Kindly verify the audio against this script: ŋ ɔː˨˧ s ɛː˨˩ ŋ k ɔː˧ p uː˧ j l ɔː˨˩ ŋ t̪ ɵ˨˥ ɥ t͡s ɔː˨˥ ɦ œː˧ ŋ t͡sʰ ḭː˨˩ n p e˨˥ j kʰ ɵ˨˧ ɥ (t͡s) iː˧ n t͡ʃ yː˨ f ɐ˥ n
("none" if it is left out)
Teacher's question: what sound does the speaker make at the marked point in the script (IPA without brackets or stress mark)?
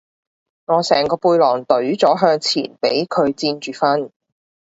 t͡s